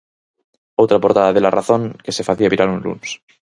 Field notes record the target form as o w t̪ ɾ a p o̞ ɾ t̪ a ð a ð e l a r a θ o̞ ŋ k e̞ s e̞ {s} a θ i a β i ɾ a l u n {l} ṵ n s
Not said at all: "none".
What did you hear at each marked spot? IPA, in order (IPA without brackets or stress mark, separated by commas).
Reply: f, l